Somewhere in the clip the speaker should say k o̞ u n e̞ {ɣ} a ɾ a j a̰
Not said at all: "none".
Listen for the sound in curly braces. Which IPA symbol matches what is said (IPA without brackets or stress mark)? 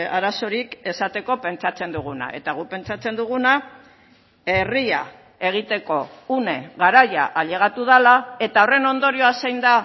ɣ